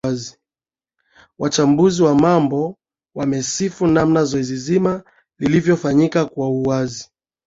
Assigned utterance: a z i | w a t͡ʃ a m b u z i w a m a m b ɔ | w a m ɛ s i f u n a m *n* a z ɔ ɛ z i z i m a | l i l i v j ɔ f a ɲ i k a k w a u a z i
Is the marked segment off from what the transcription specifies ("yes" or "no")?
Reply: no